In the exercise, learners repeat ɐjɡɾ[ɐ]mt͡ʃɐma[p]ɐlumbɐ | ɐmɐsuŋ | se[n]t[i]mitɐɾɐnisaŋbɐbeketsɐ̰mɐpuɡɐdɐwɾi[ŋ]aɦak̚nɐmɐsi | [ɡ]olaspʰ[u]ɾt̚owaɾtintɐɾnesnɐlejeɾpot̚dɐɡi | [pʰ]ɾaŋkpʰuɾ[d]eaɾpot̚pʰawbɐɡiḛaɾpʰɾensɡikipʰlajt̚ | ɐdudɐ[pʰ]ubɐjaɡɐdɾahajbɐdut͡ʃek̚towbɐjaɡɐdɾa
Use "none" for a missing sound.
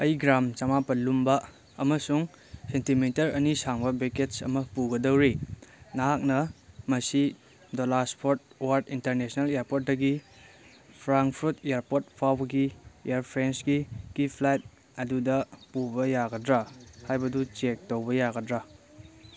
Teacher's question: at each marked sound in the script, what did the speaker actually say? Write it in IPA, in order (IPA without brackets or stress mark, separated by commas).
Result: a, p, n, i, n, d, o, pʰ, t, p